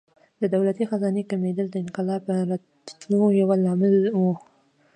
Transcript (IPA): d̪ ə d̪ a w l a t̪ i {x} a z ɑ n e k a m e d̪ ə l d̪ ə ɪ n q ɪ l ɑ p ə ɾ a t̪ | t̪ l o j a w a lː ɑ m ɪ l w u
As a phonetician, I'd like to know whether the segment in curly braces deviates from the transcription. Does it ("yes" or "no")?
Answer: no